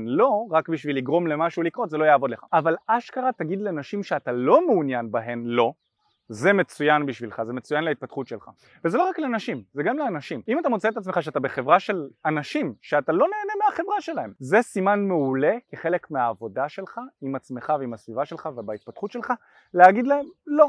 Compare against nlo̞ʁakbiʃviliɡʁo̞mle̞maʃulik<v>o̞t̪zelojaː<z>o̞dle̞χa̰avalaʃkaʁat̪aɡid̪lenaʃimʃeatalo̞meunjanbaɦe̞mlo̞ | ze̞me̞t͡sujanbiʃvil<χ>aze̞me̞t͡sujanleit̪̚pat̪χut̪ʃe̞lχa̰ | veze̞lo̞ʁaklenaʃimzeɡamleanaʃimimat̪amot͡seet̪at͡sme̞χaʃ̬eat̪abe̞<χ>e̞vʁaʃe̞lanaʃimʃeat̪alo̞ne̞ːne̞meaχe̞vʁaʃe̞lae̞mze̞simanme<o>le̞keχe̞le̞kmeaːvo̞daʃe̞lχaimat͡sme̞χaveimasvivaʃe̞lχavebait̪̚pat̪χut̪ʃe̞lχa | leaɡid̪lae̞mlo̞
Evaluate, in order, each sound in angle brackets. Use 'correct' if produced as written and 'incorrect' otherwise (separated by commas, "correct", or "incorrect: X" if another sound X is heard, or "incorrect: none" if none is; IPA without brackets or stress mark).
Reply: incorrect: ʁ, incorrect: v, correct, correct, incorrect: u